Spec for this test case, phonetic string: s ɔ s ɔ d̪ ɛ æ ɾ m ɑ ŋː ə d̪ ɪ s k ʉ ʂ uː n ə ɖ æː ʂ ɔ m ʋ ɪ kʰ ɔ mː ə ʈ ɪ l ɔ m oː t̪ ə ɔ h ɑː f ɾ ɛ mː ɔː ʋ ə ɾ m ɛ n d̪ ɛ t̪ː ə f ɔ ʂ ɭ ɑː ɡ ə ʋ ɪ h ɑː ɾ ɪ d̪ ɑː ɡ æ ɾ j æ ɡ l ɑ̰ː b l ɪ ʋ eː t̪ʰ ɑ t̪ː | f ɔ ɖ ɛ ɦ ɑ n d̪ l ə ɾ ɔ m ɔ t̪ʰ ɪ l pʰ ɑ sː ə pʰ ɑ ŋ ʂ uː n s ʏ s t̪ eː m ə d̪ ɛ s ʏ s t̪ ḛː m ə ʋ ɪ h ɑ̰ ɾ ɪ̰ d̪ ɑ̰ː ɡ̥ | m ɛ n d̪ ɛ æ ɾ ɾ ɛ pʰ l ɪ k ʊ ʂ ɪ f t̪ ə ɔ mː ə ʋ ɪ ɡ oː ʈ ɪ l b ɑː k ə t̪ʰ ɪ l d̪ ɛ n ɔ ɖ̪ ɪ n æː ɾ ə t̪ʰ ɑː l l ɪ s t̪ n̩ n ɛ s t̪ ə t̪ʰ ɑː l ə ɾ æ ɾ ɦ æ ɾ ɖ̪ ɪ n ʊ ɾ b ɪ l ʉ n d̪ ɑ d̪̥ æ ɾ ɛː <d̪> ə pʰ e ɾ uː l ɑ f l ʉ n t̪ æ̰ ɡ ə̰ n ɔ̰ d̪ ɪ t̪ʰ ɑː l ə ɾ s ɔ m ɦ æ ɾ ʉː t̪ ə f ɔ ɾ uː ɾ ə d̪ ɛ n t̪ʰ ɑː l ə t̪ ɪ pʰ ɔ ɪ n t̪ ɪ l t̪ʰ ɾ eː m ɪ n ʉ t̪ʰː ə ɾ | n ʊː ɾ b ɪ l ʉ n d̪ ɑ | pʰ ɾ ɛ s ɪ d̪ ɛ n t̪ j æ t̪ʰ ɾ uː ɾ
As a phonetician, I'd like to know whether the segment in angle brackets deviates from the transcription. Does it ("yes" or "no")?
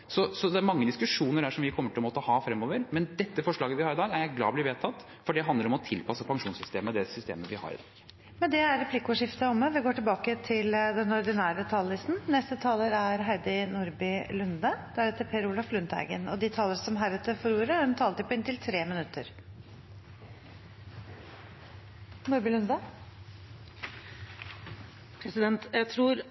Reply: yes